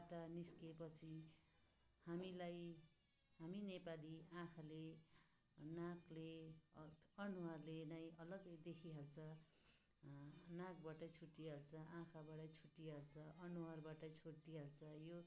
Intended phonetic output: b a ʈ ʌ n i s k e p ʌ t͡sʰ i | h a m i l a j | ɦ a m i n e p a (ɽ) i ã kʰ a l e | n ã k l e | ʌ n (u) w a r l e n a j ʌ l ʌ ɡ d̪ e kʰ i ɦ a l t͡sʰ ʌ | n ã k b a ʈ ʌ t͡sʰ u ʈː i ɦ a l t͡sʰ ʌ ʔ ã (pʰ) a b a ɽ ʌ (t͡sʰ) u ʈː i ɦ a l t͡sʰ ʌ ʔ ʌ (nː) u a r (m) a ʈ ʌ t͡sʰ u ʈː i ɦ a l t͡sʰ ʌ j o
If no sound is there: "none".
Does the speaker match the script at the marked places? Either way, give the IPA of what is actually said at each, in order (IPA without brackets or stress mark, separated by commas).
l, u, kʰ, t͡sʰ, n, b